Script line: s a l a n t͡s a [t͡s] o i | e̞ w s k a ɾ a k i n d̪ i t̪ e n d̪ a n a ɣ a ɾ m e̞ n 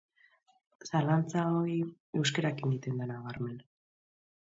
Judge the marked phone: incorrect: none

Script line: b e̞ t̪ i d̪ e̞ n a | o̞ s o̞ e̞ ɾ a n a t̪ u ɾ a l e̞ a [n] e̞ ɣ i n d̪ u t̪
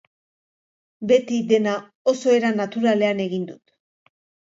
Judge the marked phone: correct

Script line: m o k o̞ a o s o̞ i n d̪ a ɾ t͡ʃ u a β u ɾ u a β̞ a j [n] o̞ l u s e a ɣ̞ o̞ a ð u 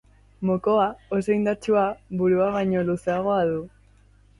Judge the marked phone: incorrect: ɲ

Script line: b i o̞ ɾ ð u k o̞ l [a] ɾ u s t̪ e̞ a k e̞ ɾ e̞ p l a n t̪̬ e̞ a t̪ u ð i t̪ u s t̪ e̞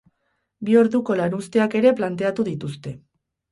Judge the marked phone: correct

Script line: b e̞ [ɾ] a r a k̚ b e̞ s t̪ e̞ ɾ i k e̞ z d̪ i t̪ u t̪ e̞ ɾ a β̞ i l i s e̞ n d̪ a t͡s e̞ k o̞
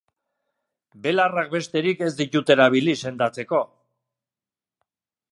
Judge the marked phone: incorrect: l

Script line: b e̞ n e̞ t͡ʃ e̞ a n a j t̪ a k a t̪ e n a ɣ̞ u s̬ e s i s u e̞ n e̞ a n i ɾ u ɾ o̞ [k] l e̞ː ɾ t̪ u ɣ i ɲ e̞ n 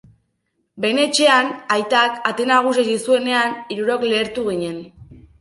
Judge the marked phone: correct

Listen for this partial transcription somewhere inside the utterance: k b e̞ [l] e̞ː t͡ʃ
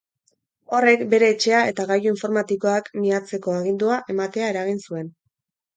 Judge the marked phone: incorrect: ɾ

